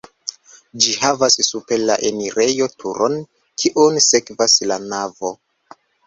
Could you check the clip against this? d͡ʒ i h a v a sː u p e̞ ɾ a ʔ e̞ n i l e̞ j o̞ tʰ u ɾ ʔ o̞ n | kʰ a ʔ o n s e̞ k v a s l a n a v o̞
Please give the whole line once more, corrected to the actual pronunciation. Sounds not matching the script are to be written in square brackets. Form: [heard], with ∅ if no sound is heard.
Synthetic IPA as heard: d͡ʒ i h a v a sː u p e̞ [l] a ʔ e̞ n i [ɾ] e̞ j o̞ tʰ u ɾ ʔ o̞ n | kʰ [i] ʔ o n s e̞ k v a s l a n a v o̞